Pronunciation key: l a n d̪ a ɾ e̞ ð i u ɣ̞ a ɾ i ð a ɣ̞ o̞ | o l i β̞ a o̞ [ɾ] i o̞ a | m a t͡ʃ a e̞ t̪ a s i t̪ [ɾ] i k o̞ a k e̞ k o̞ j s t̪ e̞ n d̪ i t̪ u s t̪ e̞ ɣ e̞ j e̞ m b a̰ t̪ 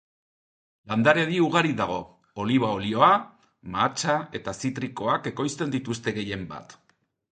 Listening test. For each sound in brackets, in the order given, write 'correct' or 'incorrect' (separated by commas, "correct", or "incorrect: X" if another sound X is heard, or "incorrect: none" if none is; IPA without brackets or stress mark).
incorrect: l, correct